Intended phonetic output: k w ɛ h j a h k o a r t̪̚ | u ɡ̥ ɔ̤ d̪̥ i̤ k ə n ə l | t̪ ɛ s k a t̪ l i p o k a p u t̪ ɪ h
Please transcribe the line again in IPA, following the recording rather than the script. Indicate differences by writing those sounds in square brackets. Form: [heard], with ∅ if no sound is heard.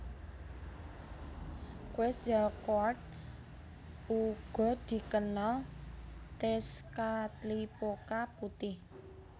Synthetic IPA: k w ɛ [s] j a [∅] k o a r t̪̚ | u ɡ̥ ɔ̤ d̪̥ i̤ k ə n [a] l | t̪ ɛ s k a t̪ l i p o k a p u t̪ ɪ h